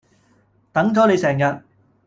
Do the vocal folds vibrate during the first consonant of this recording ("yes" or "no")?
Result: no